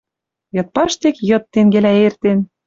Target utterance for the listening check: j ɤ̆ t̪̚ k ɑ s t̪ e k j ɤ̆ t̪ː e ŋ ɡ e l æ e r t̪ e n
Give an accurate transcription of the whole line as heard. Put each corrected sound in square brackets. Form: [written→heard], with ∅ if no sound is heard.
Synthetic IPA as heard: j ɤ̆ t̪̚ [k→p] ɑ [s→ʃ] t̪ e k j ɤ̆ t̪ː e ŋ ɡ e l æ e r t̪ e n

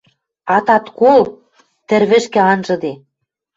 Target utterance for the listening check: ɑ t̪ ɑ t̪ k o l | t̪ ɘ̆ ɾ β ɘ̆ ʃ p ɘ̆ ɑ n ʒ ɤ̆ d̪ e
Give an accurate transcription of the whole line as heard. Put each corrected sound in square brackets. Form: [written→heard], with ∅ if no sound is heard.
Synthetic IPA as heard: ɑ t̪ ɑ t̪ k o l | t̪ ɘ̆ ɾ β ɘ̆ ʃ [p→k] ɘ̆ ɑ n ʒ ɤ̆ d̪ e

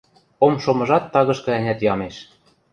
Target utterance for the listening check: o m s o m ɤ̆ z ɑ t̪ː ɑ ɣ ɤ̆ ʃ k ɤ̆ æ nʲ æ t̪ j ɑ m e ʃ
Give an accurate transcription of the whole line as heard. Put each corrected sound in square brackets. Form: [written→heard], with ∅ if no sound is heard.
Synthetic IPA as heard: o m [s→ʃ] o m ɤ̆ [z→ʒ] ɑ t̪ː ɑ ɣ ɤ̆ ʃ k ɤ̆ æ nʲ æ t̪ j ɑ m e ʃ

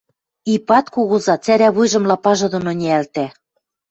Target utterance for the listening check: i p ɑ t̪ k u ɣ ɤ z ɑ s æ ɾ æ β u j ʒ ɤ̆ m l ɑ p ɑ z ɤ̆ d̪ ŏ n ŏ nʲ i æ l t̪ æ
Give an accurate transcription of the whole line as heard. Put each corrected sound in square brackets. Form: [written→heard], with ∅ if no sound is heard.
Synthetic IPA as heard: i p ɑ t̪ k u ɣ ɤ z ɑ [s→t͡s] æ ɾ æ β u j ʒ ɤ̆ m l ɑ p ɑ [z→ʒ] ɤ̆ d̪ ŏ n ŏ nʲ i æ l t̪ æ

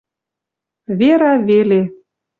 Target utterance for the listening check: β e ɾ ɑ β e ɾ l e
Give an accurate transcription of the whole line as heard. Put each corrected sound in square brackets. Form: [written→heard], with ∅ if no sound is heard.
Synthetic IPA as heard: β e ɾ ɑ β e [ɾ→∅] l e

